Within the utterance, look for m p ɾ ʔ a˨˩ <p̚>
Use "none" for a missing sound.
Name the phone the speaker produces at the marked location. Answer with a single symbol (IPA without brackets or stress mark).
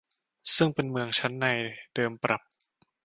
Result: p̚